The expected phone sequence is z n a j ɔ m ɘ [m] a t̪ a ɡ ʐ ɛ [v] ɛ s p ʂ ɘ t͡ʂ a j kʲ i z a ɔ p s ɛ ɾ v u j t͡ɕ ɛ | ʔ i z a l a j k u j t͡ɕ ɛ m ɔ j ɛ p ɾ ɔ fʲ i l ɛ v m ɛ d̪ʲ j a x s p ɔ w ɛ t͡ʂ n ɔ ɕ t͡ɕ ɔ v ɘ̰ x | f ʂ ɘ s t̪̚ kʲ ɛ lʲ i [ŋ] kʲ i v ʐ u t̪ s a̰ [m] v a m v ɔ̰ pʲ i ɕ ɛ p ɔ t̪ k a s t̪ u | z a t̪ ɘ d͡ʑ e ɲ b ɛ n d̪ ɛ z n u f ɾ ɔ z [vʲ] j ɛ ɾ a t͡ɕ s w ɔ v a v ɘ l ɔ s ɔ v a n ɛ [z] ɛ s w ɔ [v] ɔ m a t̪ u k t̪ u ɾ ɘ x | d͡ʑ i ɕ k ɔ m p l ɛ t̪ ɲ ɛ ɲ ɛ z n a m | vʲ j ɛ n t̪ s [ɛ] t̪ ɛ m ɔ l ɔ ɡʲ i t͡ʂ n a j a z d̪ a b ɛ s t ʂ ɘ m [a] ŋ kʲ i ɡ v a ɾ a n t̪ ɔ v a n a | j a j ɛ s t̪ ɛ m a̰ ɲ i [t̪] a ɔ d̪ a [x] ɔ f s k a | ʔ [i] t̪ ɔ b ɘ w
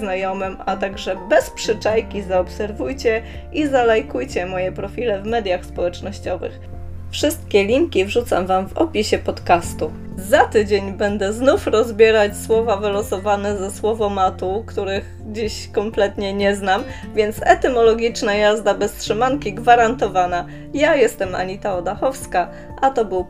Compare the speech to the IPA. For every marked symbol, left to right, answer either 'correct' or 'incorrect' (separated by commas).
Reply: correct, incorrect, correct, correct, incorrect, correct, correct, correct, correct, correct, correct, incorrect